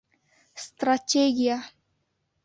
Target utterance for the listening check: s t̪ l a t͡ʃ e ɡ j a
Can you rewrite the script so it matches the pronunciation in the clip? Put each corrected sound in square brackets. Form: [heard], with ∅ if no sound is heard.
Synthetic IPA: s t̪ [ɾ] a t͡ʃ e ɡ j a